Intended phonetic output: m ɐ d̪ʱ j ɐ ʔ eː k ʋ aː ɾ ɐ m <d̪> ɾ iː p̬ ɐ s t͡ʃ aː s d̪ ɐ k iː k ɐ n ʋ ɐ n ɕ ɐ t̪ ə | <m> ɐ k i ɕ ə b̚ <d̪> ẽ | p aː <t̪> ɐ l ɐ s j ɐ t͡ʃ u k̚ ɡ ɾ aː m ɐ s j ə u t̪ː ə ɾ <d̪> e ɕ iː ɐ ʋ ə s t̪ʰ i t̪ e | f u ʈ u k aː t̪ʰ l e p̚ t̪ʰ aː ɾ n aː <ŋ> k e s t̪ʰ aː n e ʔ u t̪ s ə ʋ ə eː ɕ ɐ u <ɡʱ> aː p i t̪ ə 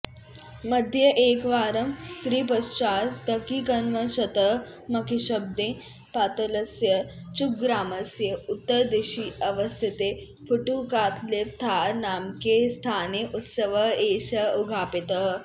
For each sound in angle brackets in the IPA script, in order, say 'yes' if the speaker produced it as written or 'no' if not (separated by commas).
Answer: no, yes, yes, yes, yes, no, yes